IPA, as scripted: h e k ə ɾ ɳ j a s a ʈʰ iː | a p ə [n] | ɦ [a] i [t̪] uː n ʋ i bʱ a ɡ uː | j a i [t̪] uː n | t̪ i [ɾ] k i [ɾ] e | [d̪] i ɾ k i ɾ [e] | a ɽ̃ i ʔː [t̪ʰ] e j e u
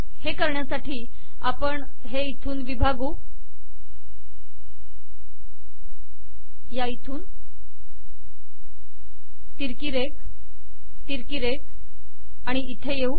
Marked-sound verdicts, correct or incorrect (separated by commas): incorrect, incorrect, incorrect, incorrect, correct, correct, incorrect, correct, correct